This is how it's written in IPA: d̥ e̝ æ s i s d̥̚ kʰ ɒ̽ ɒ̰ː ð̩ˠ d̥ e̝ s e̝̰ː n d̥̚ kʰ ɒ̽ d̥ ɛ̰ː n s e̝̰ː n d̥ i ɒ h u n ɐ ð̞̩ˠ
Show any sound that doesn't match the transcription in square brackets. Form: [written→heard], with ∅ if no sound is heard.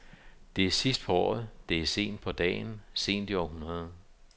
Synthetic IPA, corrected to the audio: d̥ e̝ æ s i s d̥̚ [kʰ→pʰ] ɒ̽ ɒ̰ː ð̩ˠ d̥ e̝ s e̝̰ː n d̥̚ [kʰ→pʰ] ɒ̽ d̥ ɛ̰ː n s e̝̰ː n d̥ i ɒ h u n ɐ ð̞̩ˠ

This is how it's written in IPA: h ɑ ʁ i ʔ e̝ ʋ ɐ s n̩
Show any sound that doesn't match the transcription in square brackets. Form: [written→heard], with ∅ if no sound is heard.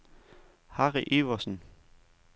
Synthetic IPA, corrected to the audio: h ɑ ʁ i ʔ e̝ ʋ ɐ s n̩

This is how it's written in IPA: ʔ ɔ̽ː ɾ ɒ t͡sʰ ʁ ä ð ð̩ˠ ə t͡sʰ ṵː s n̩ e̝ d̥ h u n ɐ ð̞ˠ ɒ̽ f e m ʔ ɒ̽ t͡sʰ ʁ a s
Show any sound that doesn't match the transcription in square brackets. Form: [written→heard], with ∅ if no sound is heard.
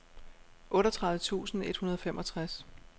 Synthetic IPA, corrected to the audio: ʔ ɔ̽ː ɾ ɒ t͡sʰ ʁ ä ð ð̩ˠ ə t͡sʰ ṵː s n̩ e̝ d̥ h u n ɐ ð̞ˠ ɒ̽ f e m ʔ ɒ̽ t͡sʰ ʁ a s

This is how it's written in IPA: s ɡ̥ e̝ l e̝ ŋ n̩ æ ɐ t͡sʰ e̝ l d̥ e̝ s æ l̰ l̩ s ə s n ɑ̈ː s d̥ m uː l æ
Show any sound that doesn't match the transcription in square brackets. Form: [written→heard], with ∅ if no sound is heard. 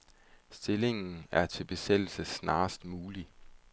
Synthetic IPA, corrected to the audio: s [ɡ̥→d̥] e̝ l e̝ ŋ n̩ æ ɐ t͡sʰ e̝ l [d̥→b̥] e̝ s [æ→e] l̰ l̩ s ə s n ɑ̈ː s d̥ m uː l [æ→i]

